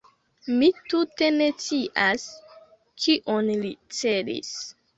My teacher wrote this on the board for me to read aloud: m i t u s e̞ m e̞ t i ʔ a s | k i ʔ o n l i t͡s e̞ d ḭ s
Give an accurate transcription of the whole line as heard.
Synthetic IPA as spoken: m i t u t e̞ n e̞ t͡s i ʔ a s | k i ʔ o n l i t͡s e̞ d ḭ s